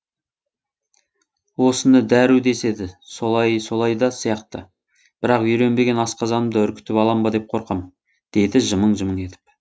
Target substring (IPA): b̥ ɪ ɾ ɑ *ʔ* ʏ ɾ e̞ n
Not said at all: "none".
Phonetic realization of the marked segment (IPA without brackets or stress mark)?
q